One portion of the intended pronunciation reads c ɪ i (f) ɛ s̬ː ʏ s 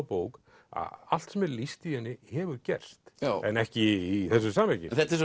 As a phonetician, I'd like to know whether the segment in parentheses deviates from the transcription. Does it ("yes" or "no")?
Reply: yes